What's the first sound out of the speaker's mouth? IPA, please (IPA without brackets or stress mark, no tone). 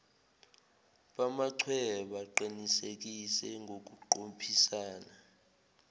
ɓ